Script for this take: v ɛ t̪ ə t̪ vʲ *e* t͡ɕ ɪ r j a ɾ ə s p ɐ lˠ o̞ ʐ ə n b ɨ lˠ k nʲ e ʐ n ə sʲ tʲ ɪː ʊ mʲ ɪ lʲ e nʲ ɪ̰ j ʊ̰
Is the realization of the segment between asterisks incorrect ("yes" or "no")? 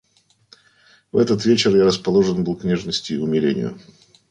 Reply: no